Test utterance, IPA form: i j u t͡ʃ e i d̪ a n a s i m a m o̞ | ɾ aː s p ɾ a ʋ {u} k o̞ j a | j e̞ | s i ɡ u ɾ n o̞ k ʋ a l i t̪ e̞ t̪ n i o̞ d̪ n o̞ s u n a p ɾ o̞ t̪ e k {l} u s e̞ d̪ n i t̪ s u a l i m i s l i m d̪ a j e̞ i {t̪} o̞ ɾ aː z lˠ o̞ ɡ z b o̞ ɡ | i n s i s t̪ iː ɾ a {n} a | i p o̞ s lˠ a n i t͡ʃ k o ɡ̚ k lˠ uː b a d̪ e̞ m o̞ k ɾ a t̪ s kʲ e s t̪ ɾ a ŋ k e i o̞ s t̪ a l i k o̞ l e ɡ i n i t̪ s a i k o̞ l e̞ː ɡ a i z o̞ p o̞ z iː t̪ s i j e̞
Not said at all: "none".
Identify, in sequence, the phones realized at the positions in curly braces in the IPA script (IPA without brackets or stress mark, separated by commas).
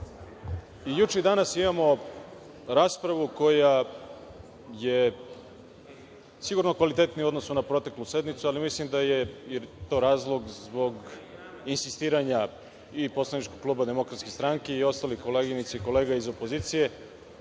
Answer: u, l, t̪, ɲ